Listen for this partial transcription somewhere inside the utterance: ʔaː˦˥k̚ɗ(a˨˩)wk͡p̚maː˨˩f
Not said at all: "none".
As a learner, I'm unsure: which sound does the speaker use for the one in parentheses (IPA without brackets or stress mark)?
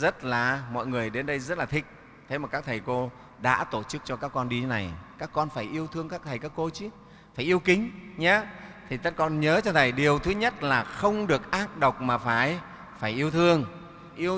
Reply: ə˨˩